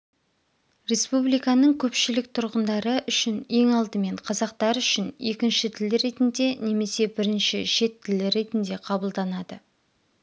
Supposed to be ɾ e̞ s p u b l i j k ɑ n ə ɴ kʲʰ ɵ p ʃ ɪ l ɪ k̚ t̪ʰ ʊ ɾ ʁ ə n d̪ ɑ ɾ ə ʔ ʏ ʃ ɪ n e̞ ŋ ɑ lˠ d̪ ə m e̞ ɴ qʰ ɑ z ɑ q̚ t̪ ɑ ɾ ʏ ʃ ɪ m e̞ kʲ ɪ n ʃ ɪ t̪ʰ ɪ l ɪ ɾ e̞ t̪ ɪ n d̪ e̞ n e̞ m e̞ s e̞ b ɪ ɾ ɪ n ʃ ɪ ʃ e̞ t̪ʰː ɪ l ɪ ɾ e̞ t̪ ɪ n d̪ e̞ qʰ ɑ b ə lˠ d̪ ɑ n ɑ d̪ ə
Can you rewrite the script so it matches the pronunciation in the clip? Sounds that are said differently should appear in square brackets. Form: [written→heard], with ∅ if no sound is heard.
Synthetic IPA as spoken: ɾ e̞ s p u b l i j k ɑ n ə ɴ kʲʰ ɵ p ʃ ɪ l ɪ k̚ t̪ʰ ʊ ɾ ʁ ə n d̪ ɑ ɾ ə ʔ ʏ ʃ ɪ n e̞ ŋ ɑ lˠ d̪ ə m e̞ ɴ qʰ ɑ z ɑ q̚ t̪ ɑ ɾ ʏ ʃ ɪ [m→n] e̞ kʲ ɪ n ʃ ɪ t̪ʰ ɪ l ɪ ɾ e̞ t̪ ɪ n d̪ e̞ n e̞ m e̞ s e̞ b ɪ ɾ ɪ n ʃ ɪ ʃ e̞ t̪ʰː ɪ l ɪ ɾ e̞ t̪ ɪ n d̪ e̞ qʰ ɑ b ə lˠ d̪ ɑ n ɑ d̪ ə